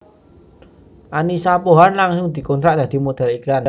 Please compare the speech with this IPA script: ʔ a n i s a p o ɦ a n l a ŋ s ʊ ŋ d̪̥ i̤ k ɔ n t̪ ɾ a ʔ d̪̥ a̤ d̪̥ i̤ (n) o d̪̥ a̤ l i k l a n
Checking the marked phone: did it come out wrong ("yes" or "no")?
yes